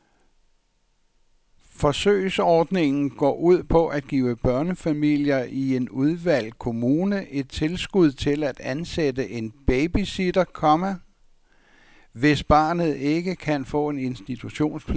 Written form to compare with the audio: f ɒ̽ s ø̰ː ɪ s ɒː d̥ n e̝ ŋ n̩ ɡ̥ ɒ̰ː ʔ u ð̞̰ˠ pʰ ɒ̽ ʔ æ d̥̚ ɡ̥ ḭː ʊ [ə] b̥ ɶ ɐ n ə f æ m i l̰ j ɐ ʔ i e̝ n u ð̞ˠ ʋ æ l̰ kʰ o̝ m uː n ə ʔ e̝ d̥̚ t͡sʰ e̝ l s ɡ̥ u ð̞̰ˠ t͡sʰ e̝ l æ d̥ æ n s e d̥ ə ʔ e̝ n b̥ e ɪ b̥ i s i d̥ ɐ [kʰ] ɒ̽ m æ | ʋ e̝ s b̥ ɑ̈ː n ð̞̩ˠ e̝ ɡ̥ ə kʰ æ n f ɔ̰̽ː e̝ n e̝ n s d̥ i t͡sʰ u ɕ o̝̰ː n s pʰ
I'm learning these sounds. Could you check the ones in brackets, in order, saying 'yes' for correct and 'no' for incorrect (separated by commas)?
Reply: yes, yes